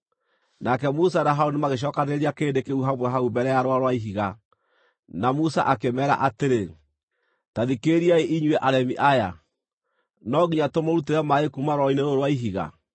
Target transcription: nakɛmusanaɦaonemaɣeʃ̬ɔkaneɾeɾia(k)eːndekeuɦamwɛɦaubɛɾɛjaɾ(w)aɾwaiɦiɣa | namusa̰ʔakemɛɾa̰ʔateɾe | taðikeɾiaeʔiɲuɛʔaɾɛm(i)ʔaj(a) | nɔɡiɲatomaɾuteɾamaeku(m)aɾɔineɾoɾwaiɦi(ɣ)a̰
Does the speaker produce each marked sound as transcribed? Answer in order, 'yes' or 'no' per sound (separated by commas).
yes, yes, yes, yes, yes, yes